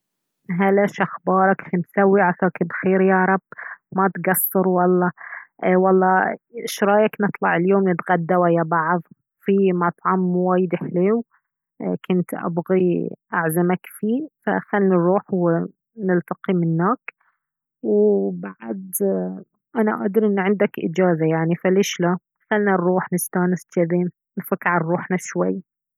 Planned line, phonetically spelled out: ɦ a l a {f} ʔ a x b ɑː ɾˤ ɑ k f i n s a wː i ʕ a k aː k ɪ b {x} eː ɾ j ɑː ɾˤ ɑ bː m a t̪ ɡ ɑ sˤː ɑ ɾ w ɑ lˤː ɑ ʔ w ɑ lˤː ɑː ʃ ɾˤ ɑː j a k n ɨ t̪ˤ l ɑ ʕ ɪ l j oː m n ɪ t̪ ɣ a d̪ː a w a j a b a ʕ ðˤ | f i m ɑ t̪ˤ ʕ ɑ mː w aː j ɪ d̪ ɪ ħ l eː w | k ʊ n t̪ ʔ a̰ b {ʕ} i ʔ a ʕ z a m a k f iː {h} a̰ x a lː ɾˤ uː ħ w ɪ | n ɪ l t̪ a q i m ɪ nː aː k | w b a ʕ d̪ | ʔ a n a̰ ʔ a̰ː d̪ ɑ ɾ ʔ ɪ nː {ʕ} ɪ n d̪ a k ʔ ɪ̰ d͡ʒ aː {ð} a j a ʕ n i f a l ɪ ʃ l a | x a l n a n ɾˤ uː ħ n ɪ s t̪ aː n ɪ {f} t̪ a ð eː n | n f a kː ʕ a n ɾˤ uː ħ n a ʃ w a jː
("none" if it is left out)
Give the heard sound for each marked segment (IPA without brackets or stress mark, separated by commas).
ʃ, x, ɣ, f, ʕ, z, s